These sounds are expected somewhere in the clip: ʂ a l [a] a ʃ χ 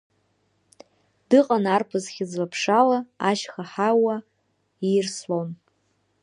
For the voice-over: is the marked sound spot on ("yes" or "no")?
yes